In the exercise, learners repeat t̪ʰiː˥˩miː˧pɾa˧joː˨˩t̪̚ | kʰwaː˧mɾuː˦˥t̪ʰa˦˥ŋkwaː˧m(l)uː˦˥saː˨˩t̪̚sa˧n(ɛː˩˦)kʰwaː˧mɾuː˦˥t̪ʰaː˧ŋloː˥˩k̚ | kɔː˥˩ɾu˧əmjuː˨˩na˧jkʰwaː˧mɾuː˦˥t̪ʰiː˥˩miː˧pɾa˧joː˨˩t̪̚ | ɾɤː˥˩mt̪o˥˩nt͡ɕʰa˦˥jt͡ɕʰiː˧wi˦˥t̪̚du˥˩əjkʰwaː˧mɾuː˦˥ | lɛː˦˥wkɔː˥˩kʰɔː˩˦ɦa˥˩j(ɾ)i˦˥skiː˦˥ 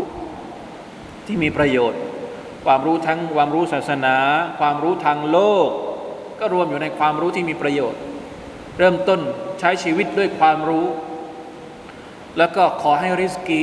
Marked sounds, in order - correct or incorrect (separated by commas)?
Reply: incorrect, incorrect, correct